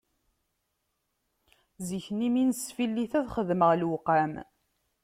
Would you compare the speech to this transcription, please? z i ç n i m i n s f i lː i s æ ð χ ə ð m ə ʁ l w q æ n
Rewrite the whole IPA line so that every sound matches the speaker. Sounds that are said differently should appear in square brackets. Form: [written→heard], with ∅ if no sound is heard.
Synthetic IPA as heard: z i ç n i m i n s f i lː i [s→θ] æ ð χ ə ð m ə ʁ l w q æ [n→m]